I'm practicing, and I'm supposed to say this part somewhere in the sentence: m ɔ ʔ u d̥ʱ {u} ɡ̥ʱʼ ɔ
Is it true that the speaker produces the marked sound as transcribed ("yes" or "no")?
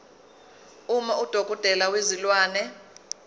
no